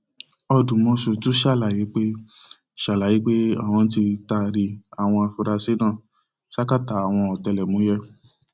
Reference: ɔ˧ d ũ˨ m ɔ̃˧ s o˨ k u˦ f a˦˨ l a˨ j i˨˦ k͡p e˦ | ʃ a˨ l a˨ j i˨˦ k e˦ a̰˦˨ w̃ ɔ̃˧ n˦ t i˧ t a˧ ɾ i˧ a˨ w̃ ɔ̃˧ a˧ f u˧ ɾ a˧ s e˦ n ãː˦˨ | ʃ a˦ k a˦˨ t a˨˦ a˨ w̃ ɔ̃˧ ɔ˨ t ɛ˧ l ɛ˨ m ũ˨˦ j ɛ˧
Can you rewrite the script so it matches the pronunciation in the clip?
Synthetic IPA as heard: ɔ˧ d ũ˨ m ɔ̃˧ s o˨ t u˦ ʃ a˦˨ l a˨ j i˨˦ k͡p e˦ | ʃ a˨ l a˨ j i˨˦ k͡p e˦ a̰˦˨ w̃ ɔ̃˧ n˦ t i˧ t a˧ ɾ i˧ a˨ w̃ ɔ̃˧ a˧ f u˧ ɾ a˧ s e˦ n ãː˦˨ | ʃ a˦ k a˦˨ t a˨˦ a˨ w̃ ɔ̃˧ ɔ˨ t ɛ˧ l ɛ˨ m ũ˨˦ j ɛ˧